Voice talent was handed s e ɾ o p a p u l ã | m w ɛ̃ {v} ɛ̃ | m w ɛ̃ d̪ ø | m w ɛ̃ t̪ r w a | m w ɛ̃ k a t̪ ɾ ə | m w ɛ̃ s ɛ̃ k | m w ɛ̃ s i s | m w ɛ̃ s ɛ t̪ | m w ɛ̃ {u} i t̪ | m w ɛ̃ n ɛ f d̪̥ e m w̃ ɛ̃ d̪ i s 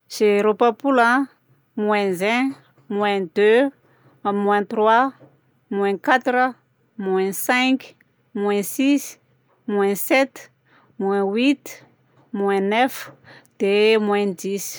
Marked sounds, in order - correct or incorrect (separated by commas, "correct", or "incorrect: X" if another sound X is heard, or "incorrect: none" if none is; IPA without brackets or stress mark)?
incorrect: z, incorrect: w